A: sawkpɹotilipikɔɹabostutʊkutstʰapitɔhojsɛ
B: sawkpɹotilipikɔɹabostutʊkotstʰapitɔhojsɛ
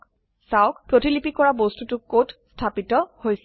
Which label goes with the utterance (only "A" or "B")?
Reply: B